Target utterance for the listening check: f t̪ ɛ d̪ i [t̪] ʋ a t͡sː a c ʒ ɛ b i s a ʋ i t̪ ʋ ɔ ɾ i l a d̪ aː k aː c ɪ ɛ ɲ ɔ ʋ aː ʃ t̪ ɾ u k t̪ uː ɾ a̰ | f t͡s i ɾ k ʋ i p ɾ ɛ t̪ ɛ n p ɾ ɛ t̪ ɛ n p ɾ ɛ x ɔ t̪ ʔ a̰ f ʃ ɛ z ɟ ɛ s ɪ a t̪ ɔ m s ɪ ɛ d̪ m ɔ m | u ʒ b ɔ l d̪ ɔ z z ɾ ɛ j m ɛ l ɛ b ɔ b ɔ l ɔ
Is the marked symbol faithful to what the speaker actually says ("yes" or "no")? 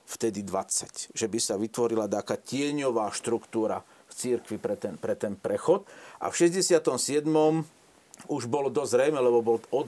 no